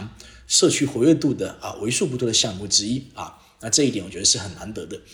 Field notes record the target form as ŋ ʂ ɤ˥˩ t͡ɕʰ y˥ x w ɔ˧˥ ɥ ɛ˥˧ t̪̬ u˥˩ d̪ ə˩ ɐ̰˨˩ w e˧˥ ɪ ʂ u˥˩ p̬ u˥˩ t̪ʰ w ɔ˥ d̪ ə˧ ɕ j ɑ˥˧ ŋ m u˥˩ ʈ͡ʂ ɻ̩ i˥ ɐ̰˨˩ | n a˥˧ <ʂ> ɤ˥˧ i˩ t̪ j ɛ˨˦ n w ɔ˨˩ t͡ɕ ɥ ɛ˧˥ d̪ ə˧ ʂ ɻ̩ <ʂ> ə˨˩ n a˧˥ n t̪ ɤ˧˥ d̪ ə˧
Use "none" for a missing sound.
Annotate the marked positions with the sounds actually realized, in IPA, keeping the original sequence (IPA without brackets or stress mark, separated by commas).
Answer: ʈ͡ʂ, x